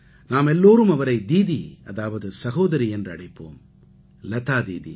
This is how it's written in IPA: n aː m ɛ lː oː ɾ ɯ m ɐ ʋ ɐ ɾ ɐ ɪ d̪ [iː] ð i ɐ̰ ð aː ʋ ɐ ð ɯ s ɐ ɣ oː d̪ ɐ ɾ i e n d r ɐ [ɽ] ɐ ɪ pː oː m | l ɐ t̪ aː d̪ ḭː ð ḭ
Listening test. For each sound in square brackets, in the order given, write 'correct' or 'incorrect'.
correct, correct

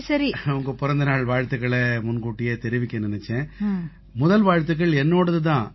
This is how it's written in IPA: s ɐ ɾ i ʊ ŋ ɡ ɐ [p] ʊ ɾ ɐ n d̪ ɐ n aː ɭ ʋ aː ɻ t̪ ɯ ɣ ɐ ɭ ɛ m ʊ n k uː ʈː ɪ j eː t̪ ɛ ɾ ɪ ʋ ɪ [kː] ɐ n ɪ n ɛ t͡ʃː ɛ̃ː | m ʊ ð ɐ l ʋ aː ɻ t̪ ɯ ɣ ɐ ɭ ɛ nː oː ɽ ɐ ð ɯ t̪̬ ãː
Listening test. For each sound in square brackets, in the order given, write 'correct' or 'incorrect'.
correct, correct

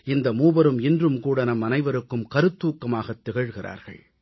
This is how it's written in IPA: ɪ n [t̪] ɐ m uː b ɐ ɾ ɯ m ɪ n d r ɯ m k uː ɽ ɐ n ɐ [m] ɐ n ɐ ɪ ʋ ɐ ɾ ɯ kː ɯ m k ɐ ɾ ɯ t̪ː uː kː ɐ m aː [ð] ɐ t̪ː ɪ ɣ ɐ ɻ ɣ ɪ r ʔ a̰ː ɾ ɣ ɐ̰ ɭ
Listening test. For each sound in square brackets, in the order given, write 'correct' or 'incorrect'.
incorrect: d̪, correct, incorrect: ɣ

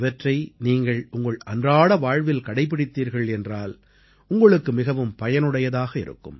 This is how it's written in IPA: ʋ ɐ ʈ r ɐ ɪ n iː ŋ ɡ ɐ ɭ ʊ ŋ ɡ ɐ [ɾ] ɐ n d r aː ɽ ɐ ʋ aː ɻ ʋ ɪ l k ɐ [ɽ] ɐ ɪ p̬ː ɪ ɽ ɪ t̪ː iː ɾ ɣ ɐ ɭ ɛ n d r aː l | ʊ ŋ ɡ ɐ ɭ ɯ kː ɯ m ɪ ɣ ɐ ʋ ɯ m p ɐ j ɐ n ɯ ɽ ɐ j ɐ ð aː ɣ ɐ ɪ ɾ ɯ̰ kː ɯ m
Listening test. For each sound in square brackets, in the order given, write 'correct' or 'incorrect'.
incorrect: ɭ, correct

